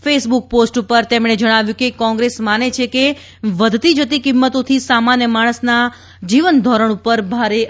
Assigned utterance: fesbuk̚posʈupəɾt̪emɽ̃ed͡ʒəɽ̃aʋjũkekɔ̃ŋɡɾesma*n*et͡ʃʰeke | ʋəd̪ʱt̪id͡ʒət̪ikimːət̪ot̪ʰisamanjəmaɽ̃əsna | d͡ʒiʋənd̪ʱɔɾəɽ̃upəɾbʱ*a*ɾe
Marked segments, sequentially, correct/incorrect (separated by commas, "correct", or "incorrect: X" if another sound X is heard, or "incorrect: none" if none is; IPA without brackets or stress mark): correct, correct